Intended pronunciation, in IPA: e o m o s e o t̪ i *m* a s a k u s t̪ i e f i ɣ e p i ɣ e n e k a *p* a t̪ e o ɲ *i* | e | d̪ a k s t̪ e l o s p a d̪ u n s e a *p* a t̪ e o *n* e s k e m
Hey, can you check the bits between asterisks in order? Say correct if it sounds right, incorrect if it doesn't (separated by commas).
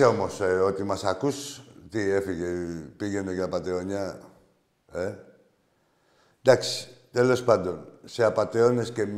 correct, correct, incorrect, correct, correct